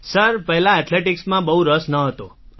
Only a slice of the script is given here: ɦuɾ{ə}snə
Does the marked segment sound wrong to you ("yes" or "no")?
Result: no